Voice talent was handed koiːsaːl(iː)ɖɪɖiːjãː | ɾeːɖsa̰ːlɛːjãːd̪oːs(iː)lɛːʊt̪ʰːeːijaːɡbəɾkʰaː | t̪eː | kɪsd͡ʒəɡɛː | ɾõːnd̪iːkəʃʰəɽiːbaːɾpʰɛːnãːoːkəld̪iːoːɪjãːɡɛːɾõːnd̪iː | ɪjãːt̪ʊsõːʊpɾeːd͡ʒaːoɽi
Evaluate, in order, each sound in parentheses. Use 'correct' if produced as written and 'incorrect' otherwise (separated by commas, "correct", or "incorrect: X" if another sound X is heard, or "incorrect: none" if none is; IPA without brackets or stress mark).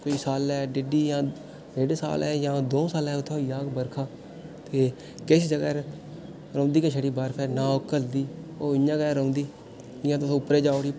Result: incorrect: ɛː, incorrect: aː